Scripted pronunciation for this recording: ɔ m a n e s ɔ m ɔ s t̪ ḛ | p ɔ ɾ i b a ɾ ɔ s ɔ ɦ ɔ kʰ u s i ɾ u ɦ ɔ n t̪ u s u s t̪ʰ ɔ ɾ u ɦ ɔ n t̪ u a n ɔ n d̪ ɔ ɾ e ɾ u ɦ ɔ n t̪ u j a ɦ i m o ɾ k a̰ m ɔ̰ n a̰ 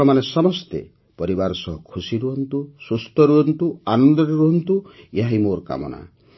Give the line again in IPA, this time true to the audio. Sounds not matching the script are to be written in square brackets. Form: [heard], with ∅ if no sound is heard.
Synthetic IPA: ɔ m a n e s ɔ m ɔ s t̪ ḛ | p ɔ ɾ i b a ɾ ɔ s ɔ ɦ ɔ kʰ u s i ɾ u ɦ ɔ n t̪ u s u s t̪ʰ ɔ ɾ u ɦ ɔ n t̪ u a n ɔ n d̪ ɔ ɾ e ɾ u ɦ ɔ n t̪ u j a ɦ i m o ɾ k a̰ m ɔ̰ n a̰